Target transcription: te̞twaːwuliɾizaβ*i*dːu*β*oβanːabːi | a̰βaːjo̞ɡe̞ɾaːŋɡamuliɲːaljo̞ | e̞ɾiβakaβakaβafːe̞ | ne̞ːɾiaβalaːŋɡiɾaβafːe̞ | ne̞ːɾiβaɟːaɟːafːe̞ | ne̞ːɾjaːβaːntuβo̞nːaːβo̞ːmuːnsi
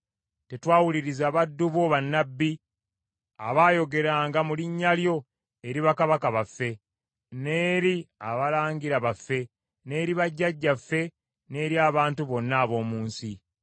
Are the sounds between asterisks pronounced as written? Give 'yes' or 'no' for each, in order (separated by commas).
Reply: no, yes